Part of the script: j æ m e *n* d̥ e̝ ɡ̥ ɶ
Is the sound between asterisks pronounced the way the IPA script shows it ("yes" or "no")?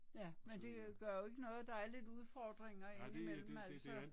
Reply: yes